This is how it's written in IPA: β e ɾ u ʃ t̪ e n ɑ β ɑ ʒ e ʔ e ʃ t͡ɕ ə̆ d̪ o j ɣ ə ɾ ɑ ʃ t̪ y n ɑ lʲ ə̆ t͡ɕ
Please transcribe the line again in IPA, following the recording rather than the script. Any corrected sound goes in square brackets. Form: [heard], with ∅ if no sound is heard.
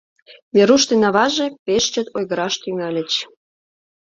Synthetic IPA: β e ɾ u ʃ t̪ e n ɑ β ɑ ʒ e [p] e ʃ t͡ɕ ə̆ [t̪] o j ɣ ə ɾ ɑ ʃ t̪ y [ŋ] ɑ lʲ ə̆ t͡ɕ